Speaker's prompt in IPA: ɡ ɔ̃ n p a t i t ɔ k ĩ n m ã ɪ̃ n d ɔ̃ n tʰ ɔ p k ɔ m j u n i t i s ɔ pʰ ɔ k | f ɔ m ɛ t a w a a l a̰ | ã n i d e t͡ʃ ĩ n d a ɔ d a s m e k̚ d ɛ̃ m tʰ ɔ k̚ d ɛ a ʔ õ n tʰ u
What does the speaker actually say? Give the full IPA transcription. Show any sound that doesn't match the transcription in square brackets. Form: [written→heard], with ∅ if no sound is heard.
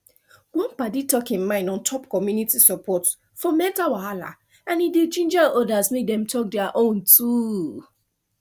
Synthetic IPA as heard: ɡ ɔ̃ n p a [t→d] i t ɔ k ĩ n m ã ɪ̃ n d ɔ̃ n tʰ ɔ p k ɔ m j u n i t i s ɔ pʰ ɔ [k→t] | f ɔ m ɛ t a w a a l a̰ | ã n i d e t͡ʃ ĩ n [d→d͡ʒ] a ɔ d a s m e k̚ d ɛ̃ m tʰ ɔ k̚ d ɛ a ʔ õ n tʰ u